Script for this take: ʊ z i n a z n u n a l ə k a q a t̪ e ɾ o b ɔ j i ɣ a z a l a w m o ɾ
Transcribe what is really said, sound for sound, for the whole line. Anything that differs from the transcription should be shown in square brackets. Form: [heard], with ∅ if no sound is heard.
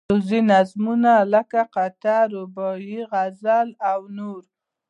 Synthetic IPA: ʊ z i n a z [m] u n a l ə k a q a t̪ [a] ɾ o b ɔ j i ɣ a z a l a w [n] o ɾ